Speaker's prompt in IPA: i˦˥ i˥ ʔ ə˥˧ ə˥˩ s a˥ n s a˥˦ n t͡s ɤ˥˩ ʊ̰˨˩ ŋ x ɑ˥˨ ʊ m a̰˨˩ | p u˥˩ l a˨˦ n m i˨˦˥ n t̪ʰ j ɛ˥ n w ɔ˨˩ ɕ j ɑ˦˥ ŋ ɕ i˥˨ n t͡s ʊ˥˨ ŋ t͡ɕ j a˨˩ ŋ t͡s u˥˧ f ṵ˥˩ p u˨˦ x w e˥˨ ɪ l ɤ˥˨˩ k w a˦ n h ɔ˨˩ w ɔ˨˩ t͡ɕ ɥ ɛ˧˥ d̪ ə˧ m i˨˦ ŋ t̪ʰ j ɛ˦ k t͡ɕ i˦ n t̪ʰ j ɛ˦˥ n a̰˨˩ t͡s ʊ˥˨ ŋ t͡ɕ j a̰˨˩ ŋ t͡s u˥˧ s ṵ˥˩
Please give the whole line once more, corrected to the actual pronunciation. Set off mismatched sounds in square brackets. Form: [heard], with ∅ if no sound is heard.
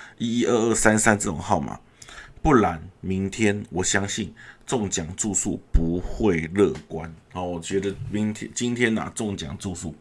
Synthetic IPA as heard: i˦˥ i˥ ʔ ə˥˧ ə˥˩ s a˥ n s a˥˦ n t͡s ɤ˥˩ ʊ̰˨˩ ŋ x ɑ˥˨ ʊ m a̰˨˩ | p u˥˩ l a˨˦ n m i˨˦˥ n t̪ʰ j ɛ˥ n w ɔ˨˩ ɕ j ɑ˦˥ ŋ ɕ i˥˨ n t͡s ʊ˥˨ ŋ t͡ɕ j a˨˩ ŋ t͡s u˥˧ [s] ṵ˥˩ p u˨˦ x w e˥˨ ɪ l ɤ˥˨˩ k w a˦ n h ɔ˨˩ w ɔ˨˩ t͡ɕ ɥ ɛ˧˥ d̪ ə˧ m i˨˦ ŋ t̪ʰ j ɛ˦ [∅] t͡ɕ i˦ n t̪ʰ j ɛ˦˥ n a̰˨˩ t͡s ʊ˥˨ ŋ t͡ɕ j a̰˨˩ ŋ t͡s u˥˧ s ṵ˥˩

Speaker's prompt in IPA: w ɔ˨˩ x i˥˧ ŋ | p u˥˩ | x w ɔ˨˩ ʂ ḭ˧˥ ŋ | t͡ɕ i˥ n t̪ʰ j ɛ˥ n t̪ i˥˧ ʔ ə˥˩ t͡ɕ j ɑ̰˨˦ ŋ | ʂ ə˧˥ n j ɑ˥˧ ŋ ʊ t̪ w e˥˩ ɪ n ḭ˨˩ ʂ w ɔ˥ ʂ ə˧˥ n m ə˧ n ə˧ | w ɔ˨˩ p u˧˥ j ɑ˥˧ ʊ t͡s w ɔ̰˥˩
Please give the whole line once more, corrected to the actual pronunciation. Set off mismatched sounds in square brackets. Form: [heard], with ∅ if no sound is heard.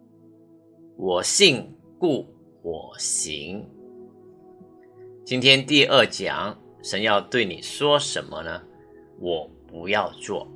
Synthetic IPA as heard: w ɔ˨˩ [ɕ] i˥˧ ŋ | [k] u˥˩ | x w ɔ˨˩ [ɕ] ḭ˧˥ ŋ | t͡ɕ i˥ n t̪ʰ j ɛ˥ n t̪ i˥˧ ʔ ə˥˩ t͡ɕ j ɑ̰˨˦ ŋ | ʂ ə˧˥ n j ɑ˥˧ [∅] ʊ t̪ w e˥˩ ɪ n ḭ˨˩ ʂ w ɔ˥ ʂ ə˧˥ n m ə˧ n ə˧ | w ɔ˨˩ p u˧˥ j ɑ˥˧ ʊ t͡s w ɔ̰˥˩

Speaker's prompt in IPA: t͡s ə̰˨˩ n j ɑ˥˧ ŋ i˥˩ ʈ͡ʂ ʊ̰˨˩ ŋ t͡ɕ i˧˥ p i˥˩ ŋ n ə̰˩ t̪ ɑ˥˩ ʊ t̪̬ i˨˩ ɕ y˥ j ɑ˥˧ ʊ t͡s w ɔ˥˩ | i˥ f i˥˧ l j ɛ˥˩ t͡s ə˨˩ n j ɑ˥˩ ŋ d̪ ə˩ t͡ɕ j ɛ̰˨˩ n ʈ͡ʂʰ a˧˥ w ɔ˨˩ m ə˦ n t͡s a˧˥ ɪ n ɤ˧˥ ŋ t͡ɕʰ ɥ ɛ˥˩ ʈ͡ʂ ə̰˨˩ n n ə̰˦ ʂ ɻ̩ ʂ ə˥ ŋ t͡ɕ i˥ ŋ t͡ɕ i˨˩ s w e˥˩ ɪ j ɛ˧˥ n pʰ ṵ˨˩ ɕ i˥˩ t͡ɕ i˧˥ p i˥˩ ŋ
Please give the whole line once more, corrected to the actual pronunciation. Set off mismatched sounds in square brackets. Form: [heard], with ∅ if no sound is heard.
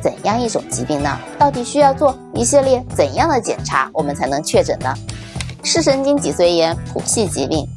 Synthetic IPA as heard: t͡s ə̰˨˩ n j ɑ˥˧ ŋ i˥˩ ʈ͡ʂ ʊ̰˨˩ ŋ t͡ɕ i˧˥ p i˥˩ ŋ n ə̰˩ t̪ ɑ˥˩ ʊ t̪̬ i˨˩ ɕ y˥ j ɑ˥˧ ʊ t͡s w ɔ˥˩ | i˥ [ɕ] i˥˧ l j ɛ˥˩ t͡s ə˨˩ n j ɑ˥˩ ŋ d̪ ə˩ t͡ɕ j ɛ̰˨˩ n ʈ͡ʂʰ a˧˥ w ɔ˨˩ m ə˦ n [t͡sʰ] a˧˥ ɪ n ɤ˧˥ ŋ t͡ɕʰ ɥ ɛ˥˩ ʈ͡ʂ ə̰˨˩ n n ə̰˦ ʂ ɻ̩ ʂ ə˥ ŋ t͡ɕ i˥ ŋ t͡ɕ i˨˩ s w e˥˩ ɪ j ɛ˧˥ n pʰ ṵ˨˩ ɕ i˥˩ t͡ɕ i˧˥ p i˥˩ ŋ

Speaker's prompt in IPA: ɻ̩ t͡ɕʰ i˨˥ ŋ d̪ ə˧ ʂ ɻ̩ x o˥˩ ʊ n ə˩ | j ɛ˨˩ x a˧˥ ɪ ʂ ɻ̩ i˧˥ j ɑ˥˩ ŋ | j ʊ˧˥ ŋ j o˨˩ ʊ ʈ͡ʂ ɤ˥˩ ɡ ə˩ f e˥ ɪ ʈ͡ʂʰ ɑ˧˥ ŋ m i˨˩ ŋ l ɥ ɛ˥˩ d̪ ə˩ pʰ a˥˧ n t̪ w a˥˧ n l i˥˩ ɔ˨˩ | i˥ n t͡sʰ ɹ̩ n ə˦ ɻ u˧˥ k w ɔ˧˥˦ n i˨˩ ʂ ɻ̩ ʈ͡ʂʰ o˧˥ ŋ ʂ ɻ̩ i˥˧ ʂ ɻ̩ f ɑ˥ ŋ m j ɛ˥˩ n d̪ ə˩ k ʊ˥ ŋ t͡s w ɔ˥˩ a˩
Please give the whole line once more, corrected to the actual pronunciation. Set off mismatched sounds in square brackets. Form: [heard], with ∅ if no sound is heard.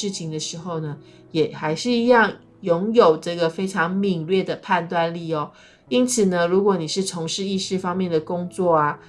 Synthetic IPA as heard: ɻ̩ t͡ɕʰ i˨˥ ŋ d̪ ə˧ ʂ ɻ̩ x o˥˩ ʊ n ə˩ | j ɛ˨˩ x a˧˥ ɪ ʂ ɻ̩ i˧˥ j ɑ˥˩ ŋ | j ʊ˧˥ ŋ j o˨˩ ʊ ʈ͡ʂ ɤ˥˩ ɡ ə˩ f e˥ ɪ ʈ͡ʂʰ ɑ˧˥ ŋ m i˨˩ ŋ l ɥ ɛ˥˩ d̪ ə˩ pʰ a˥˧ n t̪ w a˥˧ n l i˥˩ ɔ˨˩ | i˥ n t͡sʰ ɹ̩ n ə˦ ɻ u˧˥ k w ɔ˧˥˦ n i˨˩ ʂ ɻ̩ ʈ͡ʂʰ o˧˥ ŋ ʂ ɻ̩ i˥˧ ʂ ɻ̩ f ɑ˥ ŋ m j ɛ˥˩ n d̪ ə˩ k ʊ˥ ŋ t͡s w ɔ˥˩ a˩

